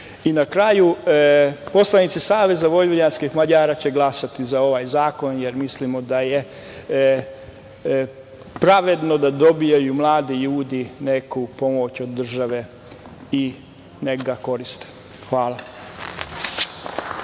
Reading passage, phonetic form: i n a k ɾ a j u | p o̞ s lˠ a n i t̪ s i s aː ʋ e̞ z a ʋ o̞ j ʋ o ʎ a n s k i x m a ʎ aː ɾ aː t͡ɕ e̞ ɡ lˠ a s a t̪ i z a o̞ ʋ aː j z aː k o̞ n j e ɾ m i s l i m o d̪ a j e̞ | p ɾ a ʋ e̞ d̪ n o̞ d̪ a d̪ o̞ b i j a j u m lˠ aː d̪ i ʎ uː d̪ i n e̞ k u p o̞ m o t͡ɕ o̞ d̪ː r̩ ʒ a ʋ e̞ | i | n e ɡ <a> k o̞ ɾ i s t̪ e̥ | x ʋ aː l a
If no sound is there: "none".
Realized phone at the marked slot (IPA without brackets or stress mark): a